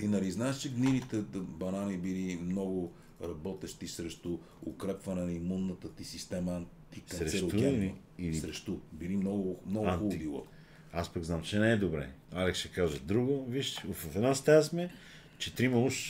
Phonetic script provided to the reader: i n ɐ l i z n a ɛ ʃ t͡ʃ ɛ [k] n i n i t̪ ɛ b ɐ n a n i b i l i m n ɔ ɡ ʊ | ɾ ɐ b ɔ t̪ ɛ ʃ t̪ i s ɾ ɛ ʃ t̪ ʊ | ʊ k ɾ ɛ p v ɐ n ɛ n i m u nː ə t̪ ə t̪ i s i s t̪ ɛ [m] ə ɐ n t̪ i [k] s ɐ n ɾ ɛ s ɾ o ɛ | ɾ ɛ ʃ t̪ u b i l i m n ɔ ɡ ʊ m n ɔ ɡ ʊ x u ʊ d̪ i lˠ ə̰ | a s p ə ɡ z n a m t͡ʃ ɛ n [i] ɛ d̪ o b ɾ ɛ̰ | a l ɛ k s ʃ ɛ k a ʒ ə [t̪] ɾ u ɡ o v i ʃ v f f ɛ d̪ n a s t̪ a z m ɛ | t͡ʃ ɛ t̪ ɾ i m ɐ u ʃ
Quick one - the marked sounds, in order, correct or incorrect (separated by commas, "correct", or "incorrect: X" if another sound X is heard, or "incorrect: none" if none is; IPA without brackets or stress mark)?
incorrect: ɡ, correct, correct, incorrect: ɛ, incorrect: d̪